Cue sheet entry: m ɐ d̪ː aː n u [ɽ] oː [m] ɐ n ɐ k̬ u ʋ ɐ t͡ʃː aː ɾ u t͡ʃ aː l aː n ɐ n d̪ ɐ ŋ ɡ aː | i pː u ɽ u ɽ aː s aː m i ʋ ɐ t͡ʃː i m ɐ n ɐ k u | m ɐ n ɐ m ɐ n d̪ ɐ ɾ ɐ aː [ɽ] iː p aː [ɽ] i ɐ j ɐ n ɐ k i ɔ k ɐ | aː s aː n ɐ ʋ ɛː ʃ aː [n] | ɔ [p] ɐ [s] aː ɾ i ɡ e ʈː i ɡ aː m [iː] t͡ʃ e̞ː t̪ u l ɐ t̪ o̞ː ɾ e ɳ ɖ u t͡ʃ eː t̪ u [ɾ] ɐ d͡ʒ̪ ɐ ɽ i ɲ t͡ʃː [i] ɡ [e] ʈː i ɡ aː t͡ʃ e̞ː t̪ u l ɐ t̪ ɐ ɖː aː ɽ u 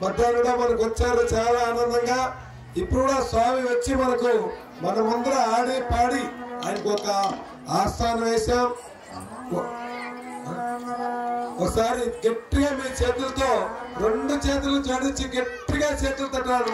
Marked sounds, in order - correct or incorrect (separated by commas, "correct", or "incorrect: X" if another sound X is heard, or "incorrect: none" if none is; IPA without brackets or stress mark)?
correct, correct, correct, correct, incorrect: m, incorrect: k, correct, correct, incorrect: l, correct, correct